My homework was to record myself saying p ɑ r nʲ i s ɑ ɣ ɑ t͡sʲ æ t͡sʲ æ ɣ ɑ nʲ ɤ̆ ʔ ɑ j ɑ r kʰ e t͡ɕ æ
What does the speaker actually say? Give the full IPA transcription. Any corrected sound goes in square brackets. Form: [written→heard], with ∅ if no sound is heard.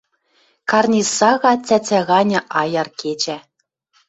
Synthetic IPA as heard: [p→k] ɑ r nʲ i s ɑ ɣ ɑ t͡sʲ æ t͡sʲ æ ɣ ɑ nʲ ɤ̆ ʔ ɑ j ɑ r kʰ e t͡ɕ æ